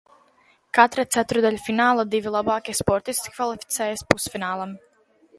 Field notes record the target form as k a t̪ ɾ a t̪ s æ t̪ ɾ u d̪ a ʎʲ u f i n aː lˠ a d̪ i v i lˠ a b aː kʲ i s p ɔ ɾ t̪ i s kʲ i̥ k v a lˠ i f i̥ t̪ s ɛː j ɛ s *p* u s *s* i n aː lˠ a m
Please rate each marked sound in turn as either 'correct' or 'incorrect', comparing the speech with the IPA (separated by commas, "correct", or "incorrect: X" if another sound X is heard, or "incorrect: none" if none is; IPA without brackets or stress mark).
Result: correct, incorrect: f